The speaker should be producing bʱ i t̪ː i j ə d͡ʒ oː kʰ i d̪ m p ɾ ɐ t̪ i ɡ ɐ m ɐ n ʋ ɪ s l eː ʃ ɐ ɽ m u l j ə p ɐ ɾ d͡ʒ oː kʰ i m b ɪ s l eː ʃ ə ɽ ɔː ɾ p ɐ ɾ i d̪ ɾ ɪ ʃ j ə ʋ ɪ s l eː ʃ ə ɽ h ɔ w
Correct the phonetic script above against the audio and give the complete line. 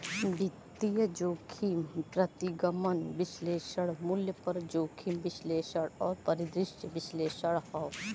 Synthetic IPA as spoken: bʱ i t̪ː i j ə d͡ʒ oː kʰ i m p ɾ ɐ t̪ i ɡ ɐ m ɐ n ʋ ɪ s l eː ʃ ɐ ɽ m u l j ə p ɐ ɾ d͡ʒ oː kʰ i m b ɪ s l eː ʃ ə ɽ ɔː ɾ p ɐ ɾ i d̪ ɾ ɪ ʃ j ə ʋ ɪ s l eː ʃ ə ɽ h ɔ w